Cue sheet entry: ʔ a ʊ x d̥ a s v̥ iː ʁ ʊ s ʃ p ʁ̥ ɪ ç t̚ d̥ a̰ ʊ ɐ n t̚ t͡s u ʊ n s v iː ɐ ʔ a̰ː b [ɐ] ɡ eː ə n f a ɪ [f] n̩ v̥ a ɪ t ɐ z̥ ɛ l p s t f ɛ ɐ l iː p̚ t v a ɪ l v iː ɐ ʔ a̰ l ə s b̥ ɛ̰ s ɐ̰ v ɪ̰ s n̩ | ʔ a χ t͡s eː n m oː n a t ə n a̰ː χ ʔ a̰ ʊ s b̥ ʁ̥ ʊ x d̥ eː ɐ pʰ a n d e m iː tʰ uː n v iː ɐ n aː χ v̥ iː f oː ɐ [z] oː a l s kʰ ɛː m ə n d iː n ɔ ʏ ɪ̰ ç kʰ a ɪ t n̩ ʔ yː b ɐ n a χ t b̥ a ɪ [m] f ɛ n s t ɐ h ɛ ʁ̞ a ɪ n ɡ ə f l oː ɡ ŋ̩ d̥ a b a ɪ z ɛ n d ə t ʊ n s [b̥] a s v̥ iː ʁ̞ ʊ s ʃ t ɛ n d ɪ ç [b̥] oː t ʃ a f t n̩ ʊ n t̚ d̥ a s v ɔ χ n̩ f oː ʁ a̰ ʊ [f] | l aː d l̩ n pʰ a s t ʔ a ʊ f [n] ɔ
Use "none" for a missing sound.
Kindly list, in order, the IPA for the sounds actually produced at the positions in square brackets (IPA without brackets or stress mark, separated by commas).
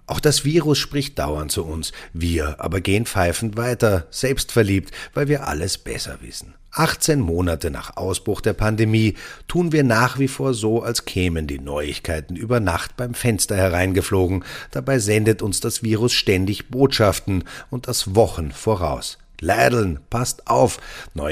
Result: ɐ, f, z, m, d̥, b̥, s, n